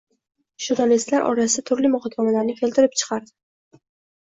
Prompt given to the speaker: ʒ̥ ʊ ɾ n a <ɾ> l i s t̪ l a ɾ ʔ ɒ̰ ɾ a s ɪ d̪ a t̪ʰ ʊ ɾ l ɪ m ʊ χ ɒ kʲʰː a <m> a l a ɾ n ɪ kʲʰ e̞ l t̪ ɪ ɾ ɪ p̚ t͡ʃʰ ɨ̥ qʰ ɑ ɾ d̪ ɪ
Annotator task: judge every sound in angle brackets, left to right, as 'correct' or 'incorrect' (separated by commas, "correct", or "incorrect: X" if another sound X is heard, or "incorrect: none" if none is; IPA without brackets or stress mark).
incorrect: none, correct